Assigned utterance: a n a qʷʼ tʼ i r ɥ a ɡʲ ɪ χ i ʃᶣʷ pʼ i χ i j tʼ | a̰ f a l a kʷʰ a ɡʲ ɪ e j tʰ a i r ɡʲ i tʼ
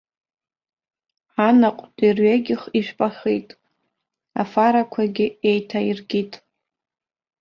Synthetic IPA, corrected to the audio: a n a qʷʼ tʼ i r ɥ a ɡʲ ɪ χ i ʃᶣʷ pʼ a χ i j tʼ | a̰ f a ɾ a kʷʰ a ɡʲ ɪ e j tʰ a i r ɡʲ i tʼ